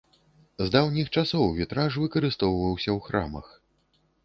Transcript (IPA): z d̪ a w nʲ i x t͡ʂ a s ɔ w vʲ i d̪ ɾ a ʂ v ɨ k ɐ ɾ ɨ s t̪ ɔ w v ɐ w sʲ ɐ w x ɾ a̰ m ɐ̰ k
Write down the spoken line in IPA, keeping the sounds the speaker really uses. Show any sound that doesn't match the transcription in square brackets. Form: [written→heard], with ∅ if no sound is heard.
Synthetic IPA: z d̪ a w nʲ i x t͡ʂ a s ɔ w vʲ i [d̪→t̪] ɾ a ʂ v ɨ k ɐ ɾ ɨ s t̪ ɔ w v ɐ w sʲ ɐ w x ɾ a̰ m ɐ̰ [k→x]